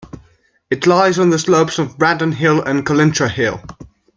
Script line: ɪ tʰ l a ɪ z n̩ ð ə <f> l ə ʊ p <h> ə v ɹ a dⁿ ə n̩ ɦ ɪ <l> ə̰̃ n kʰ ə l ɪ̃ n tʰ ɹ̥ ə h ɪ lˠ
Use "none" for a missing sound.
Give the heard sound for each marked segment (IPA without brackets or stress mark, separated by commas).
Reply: s, s, l